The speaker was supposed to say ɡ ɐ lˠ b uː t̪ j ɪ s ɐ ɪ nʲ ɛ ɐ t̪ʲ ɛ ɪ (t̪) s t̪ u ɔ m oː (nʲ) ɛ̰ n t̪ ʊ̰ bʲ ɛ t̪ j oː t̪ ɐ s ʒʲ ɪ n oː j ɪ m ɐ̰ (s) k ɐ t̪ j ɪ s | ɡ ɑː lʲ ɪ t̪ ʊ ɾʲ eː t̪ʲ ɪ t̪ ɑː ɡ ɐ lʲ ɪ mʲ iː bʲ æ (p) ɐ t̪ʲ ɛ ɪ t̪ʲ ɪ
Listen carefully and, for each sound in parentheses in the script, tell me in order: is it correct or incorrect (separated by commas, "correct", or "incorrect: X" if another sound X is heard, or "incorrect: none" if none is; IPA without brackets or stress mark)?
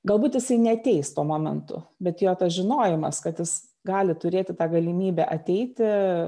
incorrect: none, incorrect: mʲ, correct, incorrect: ʔ